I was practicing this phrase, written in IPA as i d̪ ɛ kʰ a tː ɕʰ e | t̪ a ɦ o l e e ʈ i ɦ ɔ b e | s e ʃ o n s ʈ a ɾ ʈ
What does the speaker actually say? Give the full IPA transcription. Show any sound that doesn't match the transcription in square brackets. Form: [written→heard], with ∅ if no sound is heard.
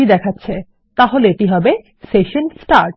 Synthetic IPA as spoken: i d̪ ɛ kʰ a tː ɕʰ e | t̪ a ɦ o l e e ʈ i ɦ ɔ b e | s e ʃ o n s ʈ a ɾ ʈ